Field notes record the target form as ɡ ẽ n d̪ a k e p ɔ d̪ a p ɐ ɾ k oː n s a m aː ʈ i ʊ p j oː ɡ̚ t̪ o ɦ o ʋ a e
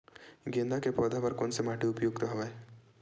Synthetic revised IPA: ɡ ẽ n d̪ a k e p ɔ d̪ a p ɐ ɾ k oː n s e m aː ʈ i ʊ p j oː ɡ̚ t̪ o ɦ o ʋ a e